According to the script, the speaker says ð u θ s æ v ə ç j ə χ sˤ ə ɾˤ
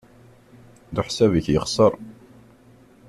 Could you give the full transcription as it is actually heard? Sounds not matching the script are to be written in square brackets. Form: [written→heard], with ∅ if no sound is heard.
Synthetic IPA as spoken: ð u [θ→ħ] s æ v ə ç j ə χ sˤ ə ɾˤ